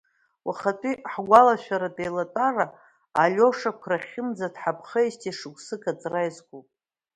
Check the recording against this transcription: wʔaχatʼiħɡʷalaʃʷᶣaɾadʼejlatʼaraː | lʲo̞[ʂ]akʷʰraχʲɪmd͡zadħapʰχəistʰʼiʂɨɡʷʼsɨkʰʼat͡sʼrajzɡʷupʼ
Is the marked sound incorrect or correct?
correct